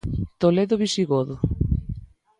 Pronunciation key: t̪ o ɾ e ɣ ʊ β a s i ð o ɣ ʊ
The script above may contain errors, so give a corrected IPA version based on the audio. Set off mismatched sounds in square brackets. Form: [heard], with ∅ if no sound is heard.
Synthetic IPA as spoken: t̪ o [l] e [ð] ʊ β [i] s i [ɣ] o [ð] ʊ

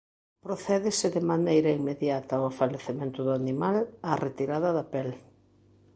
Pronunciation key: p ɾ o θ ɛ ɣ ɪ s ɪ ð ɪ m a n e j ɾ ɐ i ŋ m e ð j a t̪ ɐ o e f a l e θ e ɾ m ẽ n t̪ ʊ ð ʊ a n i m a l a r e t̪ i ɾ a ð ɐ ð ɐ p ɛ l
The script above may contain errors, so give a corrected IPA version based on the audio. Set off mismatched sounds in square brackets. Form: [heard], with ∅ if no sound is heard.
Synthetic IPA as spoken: p ɾ o θ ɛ [ð] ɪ s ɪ ð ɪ m a n e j ɾ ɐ i ŋ m e ð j a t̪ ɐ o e f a l e θ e [∅] m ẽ n t̪ ʊ ð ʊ a n i m a l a r e t̪ i ɾ a ð ɐ ð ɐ p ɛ l

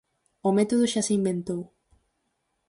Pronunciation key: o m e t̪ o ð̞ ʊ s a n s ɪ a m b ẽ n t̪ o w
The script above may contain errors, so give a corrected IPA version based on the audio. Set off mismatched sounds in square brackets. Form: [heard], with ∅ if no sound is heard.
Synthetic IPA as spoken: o m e t̪ o ð̞ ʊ [ʃ] a [∅] s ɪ [i] m b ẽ n t̪ o w

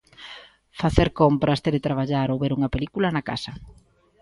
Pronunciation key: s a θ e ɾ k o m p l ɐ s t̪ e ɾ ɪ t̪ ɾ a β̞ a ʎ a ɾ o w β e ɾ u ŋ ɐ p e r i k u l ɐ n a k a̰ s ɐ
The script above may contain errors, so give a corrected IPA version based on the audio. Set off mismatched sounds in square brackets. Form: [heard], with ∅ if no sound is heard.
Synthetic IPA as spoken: [f] a θ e ɾ k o m p [ɾ] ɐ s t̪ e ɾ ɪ t̪ ɾ a β̞ a ʎ a ɾ o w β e ɾ u ŋ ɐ p e [l] i k u l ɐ n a k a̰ s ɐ

